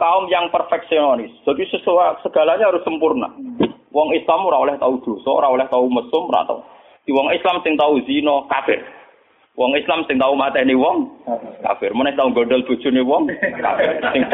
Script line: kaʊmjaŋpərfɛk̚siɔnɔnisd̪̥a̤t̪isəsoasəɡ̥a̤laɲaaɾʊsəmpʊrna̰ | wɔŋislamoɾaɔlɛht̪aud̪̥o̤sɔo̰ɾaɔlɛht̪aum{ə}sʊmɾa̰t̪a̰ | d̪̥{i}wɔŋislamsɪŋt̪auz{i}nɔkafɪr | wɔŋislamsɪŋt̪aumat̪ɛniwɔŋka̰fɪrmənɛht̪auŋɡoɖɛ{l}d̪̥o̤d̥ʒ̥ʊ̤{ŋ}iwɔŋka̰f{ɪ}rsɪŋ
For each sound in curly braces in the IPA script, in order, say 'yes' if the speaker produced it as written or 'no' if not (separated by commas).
yes, yes, yes, yes, no, yes